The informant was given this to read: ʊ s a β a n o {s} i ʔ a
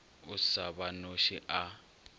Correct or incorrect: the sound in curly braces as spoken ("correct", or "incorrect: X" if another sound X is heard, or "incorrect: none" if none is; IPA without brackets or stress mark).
incorrect: ʃ